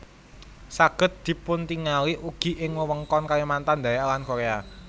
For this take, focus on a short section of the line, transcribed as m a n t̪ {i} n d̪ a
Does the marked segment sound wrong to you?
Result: yes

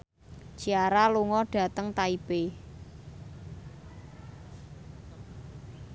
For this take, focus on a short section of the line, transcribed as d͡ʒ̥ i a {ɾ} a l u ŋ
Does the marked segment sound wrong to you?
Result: no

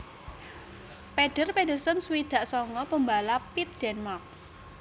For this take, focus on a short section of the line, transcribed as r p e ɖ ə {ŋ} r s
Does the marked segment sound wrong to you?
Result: yes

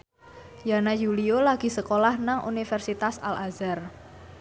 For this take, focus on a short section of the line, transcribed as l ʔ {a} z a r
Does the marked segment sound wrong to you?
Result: no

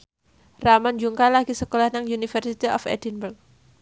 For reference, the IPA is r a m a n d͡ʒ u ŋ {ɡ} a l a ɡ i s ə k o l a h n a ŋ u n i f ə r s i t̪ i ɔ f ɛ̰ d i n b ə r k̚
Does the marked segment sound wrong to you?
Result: yes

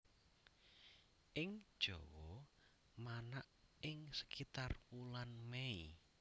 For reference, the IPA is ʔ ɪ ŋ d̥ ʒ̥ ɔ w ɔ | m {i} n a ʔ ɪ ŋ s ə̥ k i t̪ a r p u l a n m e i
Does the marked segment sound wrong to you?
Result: yes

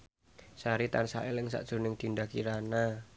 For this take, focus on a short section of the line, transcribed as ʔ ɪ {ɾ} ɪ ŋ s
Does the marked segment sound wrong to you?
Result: yes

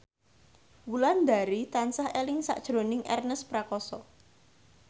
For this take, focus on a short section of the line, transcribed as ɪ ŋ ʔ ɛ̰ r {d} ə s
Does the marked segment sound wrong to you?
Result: yes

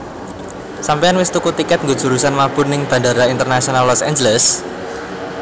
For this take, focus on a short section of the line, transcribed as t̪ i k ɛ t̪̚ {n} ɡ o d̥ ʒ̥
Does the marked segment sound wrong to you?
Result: yes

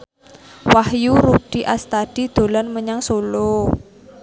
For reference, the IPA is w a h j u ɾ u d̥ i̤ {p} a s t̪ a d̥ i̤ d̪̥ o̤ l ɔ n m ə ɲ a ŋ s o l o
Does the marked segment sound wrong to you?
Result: yes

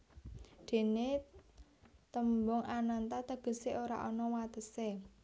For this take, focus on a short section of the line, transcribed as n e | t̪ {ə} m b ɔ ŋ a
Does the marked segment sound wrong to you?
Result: no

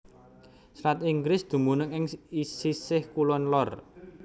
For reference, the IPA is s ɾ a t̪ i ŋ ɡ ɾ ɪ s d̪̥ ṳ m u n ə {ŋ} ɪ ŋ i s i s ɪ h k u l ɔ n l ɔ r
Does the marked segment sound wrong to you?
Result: no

